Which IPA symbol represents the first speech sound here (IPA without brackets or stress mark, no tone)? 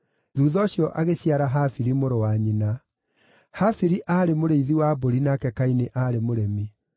ð